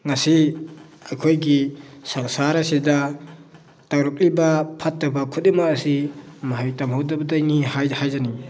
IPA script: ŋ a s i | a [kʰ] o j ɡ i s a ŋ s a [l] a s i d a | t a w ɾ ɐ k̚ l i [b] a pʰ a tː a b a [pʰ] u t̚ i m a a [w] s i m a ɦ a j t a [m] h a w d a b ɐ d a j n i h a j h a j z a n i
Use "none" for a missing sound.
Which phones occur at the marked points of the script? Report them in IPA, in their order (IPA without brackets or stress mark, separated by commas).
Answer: kʰ, ɾ, b, kʰ, none, m